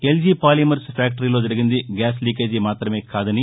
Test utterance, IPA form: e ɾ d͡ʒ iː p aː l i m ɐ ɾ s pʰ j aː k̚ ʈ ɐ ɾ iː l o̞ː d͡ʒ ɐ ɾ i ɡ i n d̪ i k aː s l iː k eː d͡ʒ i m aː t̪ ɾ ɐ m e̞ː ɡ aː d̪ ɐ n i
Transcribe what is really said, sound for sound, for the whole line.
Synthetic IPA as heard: e l d͡ʒ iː p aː l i m ɐ ɾ s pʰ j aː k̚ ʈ ɐ ɾ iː l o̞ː d͡ʒ ɐ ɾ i ɡ i n d̪ i ɡ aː s l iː k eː d͡ʒ i m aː t̪ ɾ ɐ m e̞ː k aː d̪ ɐ n i